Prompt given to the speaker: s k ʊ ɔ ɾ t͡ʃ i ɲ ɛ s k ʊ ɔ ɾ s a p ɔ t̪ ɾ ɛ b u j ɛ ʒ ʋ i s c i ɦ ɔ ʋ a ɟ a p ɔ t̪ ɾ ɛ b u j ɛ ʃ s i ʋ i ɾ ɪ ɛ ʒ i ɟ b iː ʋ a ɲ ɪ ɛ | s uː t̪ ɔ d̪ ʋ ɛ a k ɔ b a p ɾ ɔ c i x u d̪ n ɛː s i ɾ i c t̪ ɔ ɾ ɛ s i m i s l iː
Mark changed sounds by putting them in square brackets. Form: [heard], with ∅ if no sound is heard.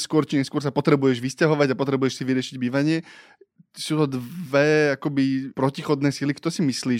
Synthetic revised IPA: s k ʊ ɔ ɾ t͡ʃ i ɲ ɛ s k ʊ ɔ ɾ s a p ɔ t̪ ɾ ɛ b u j ɛ ʒ ʋ i s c [a] ɦ ɔ ʋ a ɟ a p ɔ t̪ ɾ ɛ b u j ɛ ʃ s i ʋ i ɾ ɪ ɛ [ʃ] i ɟ b iː ʋ a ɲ ɪ ɛ | s uː t̪ ɔ d̪ ʋ ɛ a k ɔ b [i] p ɾ ɔ c i x [ɔ] d̪ n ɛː s i [l] i [k] t̪ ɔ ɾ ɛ s i m i s l iː